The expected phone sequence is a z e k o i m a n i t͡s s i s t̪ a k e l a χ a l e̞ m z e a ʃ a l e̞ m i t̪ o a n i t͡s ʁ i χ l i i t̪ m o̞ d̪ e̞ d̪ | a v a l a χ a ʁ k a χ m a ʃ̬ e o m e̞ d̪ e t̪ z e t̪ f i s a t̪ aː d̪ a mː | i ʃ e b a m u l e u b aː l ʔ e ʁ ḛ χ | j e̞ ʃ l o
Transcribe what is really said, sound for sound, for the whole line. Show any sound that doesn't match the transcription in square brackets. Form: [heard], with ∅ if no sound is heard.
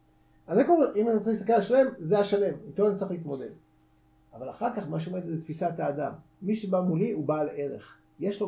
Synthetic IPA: a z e k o i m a n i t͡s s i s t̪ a k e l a [ʃ] a l e̞ m z e a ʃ a l e̞ m i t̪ o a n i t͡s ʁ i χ l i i t̪ m o̞ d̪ e̞ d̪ | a v a l a χ a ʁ k a χ m a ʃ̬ e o m e̞ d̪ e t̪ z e t̪ f i s a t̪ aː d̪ a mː | i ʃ e b a m u l [i] u b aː l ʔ e ʁ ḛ χ | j e̞ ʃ l o